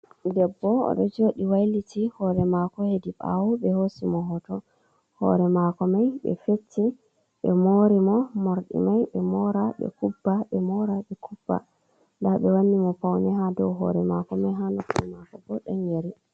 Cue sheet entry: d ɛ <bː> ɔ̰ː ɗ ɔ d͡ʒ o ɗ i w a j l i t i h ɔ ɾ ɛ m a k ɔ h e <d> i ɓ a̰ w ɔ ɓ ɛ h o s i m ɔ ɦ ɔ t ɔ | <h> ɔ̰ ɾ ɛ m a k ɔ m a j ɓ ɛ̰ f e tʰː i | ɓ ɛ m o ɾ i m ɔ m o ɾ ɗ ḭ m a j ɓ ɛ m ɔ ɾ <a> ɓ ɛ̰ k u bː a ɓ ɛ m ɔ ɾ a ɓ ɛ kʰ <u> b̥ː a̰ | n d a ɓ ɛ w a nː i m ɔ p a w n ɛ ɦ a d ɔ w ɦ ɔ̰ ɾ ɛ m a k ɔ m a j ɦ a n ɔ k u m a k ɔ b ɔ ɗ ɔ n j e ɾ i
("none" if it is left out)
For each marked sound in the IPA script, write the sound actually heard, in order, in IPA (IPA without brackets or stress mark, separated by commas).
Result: bː, d, h, a, u